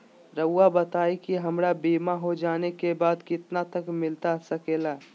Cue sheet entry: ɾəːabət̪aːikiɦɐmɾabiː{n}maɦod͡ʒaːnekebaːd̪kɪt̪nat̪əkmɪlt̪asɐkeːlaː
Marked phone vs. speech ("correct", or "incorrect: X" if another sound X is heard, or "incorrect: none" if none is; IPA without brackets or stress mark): incorrect: none